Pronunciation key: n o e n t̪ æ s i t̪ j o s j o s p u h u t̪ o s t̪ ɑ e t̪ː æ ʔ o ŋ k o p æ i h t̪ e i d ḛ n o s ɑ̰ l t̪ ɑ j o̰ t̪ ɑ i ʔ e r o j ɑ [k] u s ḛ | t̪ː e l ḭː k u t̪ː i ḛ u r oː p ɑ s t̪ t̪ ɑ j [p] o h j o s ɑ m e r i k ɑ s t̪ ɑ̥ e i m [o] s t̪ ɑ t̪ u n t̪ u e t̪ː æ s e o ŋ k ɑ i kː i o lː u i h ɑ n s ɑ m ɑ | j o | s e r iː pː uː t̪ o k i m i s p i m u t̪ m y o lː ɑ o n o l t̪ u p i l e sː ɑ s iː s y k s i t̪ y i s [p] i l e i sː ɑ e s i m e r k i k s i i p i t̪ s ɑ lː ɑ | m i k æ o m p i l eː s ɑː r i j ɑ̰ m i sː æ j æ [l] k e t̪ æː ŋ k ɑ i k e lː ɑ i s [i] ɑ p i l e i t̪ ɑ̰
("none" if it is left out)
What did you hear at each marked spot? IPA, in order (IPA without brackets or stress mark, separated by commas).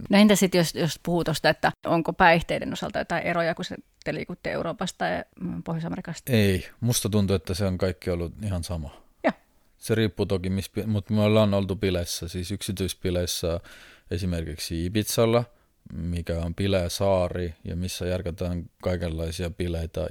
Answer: k, p, u, p, r, i